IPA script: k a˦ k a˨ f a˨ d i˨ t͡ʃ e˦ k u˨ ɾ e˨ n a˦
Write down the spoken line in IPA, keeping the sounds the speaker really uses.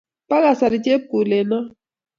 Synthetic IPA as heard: p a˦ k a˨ s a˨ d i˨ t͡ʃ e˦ p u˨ l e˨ n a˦